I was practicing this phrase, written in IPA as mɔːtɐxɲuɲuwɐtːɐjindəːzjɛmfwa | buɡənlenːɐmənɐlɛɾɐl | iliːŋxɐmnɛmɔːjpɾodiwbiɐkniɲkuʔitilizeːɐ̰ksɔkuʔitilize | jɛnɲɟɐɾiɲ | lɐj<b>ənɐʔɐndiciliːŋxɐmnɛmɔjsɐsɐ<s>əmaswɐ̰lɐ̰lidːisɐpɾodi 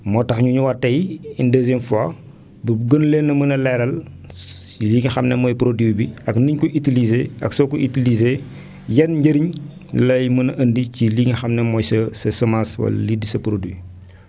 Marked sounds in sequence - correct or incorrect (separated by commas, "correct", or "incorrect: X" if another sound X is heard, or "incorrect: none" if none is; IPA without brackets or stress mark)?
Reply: incorrect: m, correct